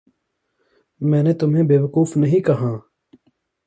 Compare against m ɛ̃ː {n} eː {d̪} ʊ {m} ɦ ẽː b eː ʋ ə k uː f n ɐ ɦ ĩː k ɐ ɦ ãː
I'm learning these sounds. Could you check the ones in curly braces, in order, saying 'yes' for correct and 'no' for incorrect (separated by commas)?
yes, no, yes